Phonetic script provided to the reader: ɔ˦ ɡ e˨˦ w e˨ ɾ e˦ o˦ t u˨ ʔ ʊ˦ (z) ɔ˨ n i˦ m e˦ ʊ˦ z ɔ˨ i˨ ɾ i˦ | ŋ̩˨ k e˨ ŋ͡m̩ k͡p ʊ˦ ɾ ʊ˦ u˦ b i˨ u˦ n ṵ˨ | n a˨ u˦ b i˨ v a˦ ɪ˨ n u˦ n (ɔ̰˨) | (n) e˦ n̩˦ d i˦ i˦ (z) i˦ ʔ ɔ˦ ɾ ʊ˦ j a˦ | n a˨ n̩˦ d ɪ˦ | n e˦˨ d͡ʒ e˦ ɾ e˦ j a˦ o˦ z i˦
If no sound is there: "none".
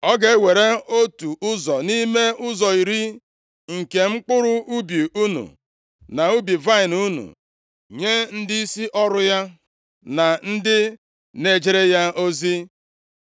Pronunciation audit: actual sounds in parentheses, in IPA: z, ṵ˨, ɲ, s

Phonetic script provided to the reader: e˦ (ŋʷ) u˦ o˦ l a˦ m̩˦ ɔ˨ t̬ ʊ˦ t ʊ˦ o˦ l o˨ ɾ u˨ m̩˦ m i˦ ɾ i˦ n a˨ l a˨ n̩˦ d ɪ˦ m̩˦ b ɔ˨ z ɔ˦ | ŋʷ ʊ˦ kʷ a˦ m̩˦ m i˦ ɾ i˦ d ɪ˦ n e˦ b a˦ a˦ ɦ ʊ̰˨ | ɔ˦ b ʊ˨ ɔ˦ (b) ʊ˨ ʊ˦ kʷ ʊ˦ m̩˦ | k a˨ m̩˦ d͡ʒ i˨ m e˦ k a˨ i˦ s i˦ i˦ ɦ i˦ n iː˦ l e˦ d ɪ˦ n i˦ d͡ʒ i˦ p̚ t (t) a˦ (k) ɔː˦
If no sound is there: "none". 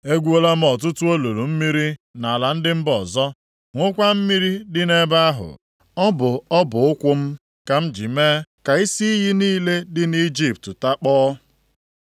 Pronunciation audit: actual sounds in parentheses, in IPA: ɡʷ, b, t, k͡p

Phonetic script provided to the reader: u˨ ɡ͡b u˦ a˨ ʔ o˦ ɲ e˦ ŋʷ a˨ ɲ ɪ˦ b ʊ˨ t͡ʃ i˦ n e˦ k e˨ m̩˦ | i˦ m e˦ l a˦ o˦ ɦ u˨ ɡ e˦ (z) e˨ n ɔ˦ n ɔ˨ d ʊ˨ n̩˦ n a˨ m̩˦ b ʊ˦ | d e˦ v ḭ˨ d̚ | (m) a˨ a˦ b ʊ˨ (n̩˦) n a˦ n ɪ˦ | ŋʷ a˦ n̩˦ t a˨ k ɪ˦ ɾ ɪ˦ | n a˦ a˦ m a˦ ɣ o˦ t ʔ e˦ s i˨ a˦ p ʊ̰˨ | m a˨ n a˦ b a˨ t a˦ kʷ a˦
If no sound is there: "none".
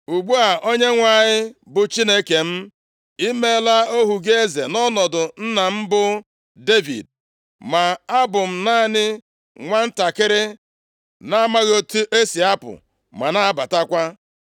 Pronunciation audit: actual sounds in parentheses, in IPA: z, m, m̩˦

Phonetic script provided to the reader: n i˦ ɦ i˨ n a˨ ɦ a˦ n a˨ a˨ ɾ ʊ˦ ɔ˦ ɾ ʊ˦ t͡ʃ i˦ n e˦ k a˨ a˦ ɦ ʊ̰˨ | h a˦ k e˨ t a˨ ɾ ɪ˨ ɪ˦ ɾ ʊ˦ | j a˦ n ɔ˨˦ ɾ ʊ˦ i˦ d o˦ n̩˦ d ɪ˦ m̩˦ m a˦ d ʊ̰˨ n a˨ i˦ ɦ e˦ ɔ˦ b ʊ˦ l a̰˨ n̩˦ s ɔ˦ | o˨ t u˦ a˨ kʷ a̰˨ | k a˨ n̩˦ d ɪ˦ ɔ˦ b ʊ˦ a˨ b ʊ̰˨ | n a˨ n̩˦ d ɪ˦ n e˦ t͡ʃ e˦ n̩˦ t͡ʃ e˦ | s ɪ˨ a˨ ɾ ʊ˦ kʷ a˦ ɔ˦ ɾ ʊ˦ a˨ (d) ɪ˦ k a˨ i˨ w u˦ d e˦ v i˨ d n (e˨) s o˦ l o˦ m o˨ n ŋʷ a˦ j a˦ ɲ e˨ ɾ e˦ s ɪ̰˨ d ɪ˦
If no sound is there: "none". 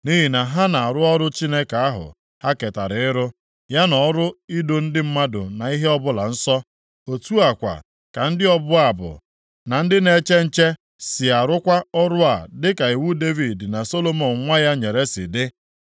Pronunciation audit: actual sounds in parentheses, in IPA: d, a˨

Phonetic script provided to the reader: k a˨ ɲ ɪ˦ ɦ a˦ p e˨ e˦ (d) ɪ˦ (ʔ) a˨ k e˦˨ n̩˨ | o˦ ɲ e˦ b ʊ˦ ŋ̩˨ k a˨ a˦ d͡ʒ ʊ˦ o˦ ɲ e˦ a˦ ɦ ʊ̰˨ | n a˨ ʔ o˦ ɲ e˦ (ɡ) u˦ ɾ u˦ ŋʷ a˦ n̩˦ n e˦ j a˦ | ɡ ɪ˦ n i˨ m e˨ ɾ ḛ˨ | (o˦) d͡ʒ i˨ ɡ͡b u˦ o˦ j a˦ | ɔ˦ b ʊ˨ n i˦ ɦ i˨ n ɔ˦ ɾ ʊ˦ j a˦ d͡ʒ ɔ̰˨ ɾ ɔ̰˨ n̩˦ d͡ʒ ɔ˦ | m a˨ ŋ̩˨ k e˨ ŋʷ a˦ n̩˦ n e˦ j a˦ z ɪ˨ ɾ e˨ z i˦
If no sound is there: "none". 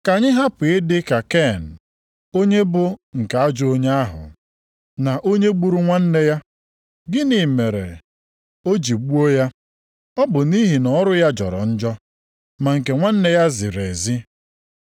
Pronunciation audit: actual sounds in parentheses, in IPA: d, k, ɡ͡b, o˦

